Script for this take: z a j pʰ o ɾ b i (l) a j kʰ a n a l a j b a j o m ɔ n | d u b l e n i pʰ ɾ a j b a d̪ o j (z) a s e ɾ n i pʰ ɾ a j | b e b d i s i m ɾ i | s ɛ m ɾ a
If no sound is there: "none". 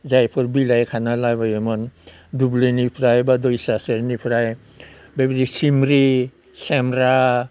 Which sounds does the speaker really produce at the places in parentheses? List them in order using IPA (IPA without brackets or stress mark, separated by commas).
l, s